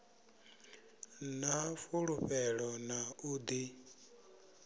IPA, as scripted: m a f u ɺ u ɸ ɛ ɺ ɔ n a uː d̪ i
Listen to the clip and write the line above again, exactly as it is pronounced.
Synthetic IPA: n a f u ɺ u ɸ ɛ ɺ ɔ n a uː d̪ i

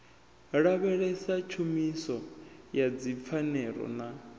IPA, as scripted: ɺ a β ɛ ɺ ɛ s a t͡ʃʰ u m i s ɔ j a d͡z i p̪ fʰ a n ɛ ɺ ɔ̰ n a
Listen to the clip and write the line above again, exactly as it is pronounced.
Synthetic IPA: ɺ a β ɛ ɺ ɛ s a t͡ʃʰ u m i s ɔ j a d͡z i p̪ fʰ a n ɛ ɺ ɔ̰ n a

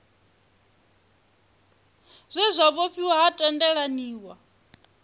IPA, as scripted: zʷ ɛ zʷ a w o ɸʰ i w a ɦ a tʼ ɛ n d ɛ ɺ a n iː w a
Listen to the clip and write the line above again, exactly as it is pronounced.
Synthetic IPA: zʷ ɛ zʷ a β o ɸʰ i w a ɦ a tʼ ɛ n d ɛ ɺ a n iː w a

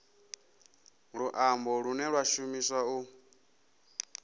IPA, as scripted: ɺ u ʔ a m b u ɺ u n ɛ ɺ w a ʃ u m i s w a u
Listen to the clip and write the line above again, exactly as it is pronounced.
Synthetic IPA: ɺ u ʔ a m b ɔ ɺ u n ɛ ɺ w a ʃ u m i s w a u

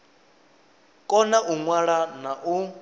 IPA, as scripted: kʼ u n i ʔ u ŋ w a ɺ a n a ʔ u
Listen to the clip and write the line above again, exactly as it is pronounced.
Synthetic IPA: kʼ ɔ n a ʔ u ŋ w a ɺ a n a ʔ u

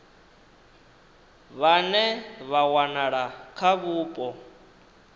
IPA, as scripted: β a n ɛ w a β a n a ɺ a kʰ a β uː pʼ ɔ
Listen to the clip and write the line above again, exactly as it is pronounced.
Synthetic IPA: β a n ɛ β a w a n a ɺ a kʰ a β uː pʼ ɔ

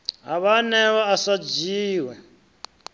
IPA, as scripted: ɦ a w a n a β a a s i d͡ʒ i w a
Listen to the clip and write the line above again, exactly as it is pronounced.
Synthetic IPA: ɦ a β a n ɛ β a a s a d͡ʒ iː w ɛ

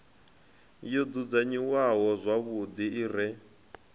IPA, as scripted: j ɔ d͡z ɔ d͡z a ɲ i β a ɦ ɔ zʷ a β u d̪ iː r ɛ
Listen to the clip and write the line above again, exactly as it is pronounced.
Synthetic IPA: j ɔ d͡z u d͡z a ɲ i w a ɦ ɔ zʷ a β u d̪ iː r ɛ

